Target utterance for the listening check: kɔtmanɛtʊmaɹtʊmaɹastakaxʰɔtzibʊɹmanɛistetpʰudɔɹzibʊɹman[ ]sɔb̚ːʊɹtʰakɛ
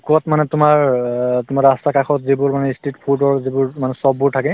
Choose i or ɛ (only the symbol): ɛ